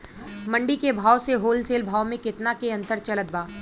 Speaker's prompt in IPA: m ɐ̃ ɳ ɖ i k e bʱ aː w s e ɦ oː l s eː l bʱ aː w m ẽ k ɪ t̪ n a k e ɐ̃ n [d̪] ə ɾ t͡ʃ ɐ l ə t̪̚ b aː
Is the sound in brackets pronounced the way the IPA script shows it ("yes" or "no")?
no